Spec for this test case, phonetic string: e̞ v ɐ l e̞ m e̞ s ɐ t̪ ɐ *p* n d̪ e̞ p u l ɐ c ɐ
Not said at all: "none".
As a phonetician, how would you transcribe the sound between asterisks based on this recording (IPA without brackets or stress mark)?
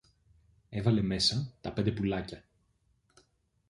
p